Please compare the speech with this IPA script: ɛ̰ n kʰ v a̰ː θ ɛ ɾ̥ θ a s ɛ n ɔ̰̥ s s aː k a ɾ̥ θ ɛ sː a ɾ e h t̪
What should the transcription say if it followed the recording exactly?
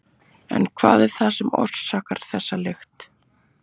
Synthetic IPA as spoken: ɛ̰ n kʰ v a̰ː ð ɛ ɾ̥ θ a s ɛ m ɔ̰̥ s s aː k a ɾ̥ θ ɛ sː a l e x t̪